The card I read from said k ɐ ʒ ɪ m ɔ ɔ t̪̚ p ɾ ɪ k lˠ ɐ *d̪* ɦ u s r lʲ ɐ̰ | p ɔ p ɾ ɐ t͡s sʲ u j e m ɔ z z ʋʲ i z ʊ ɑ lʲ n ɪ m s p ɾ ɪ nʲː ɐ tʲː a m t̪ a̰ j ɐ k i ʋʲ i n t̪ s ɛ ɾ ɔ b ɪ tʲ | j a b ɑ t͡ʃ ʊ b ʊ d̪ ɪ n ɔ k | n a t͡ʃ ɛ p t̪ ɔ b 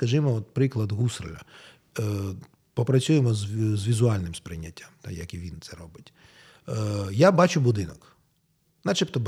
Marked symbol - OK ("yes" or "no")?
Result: yes